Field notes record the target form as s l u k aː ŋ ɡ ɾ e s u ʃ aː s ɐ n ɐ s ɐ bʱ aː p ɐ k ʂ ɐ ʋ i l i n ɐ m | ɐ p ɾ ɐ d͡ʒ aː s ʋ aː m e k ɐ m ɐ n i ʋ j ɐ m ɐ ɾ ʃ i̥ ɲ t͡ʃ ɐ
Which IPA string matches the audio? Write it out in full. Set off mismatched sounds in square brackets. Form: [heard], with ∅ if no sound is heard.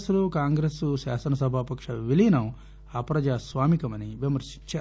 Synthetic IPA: s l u k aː ŋ ɡ ɾ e s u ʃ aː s ɐ n ɐ s ɐ bʱ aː p ɐ k ʂ ɐ ʋ i l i n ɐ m | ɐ p ɾ ɐ d͡ʒ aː s ʋ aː m [i] k ɐ m ɐ n i ʋ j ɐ m ɐ ɾ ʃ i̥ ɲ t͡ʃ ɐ